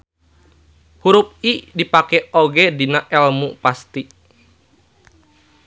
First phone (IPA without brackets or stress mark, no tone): h